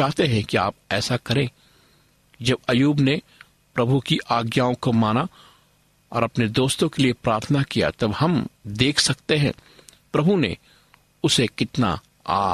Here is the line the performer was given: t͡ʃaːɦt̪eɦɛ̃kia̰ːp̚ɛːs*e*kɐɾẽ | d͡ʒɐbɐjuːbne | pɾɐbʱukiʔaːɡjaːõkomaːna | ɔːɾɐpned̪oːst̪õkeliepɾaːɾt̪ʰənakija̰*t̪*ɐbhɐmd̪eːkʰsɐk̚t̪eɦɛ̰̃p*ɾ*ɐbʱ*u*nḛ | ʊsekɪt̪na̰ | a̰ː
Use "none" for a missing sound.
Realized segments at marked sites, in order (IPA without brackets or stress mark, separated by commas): a, t̪, ɾ, u